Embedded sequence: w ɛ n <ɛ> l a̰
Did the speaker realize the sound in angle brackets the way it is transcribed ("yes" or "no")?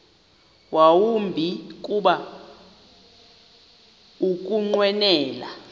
no